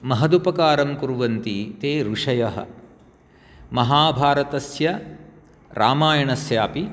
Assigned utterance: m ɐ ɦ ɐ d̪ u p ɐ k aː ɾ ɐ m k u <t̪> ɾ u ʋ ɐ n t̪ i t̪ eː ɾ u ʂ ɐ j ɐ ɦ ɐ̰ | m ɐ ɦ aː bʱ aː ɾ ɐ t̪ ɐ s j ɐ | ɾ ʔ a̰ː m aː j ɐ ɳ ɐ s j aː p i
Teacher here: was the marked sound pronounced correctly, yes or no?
no